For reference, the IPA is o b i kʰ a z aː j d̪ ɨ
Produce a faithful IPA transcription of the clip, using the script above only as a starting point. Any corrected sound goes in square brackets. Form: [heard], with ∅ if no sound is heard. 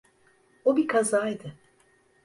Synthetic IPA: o b i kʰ a z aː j d̪ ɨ